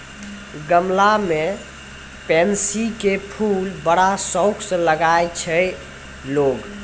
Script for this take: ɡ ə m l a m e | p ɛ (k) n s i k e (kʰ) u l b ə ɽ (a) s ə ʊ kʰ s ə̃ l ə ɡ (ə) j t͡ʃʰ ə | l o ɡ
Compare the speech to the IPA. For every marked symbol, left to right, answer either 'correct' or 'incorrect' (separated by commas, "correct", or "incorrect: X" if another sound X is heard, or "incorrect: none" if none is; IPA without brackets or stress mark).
incorrect: none, incorrect: pʰ, correct, incorrect: a